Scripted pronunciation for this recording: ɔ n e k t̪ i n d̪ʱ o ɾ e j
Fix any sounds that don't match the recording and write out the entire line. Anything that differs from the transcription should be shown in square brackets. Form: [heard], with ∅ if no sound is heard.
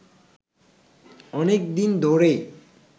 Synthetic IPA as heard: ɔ n e k [d̪] i n d̪ʱ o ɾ e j